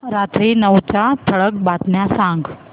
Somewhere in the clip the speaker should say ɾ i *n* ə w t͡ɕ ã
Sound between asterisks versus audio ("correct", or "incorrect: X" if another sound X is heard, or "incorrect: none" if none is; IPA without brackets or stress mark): correct